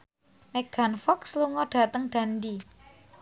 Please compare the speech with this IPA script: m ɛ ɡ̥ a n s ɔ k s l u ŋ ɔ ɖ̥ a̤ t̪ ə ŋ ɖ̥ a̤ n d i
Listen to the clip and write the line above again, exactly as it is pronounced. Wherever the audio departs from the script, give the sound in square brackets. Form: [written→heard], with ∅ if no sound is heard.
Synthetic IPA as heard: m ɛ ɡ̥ a n [s→f] ɔ k s l u ŋ ɔ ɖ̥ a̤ t̪ ə ŋ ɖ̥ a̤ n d i